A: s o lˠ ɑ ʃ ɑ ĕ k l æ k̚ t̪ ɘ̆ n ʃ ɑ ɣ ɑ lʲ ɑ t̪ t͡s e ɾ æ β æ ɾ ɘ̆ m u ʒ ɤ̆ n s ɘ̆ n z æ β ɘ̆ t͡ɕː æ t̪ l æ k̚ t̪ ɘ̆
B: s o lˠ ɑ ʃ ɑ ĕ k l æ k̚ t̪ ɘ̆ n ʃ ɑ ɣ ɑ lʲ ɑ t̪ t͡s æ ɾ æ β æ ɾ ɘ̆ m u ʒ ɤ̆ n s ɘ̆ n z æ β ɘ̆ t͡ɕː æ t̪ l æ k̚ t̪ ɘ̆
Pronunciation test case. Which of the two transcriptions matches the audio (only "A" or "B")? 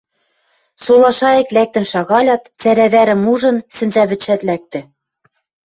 B